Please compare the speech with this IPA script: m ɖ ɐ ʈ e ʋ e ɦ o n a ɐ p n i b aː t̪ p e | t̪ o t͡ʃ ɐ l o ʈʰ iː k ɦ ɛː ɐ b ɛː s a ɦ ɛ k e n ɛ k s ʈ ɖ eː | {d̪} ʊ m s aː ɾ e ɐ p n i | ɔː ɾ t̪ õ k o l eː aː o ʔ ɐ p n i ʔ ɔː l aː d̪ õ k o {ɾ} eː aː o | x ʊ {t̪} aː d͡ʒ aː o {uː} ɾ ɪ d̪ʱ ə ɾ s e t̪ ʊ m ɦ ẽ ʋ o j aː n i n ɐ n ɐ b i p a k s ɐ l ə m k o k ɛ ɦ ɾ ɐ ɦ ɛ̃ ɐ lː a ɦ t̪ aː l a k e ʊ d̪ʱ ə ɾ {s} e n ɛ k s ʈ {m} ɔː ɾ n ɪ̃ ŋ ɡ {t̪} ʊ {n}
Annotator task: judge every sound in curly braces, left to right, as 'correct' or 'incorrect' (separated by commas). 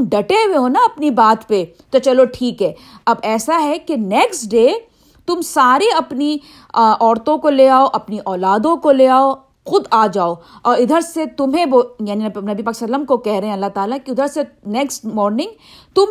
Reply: incorrect, incorrect, incorrect, incorrect, correct, correct, correct, incorrect